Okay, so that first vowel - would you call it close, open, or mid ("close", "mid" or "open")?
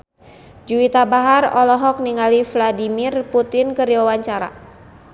close